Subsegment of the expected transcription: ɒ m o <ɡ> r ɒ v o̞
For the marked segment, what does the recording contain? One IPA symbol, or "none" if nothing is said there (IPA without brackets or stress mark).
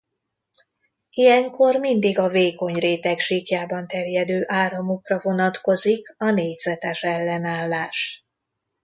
k